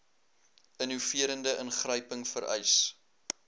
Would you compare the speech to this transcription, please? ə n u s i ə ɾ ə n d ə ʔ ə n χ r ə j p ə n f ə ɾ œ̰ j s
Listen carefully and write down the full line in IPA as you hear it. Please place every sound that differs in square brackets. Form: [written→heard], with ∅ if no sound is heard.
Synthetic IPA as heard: ə n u [s→f] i ə ɾ ə n d ə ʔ ə n χ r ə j p ə [n→ŋ] f ə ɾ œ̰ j s